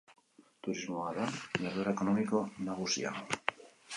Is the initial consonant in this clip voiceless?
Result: yes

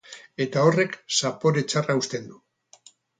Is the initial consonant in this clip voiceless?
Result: yes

